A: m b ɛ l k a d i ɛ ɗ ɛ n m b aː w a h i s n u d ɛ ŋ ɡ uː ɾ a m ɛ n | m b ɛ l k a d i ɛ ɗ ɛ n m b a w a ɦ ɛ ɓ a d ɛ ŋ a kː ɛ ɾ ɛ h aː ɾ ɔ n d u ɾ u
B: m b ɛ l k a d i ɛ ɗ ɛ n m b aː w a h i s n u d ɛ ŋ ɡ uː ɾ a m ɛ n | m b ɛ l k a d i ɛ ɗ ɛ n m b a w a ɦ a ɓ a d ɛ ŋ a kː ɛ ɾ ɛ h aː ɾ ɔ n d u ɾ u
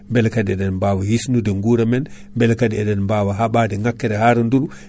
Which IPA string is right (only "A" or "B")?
B